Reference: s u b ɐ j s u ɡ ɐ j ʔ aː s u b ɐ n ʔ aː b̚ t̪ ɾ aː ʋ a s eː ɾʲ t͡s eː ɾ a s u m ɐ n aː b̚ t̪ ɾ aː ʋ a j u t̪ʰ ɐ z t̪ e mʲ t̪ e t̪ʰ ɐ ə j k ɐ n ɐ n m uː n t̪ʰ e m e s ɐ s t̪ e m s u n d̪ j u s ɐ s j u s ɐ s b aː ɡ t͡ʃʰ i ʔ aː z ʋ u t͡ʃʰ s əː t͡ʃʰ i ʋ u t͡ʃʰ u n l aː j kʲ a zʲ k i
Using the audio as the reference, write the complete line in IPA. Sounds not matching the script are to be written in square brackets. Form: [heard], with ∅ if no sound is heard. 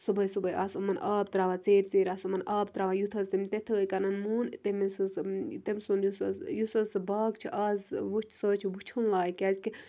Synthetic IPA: s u b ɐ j s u [b] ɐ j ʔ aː s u [m] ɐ n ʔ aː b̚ t̪ ɾ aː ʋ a [t͡s] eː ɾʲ t͡s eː ɾ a s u m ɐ n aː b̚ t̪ ɾ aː ʋ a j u t̪ʰ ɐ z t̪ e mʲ t̪ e t̪ʰ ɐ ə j k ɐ n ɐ n m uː n [t̪] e m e s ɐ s t̪ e m s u n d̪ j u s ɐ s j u s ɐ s b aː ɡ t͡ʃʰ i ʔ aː z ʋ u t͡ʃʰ s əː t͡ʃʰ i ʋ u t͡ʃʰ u n l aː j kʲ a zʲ k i